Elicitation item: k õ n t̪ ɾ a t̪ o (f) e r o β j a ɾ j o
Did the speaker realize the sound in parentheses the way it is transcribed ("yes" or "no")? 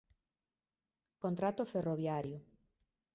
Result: yes